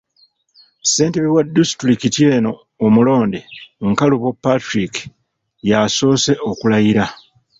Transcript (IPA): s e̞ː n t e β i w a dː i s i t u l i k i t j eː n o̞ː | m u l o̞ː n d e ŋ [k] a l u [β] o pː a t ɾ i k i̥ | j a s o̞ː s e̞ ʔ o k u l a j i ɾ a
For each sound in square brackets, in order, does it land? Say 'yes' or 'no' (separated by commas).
yes, yes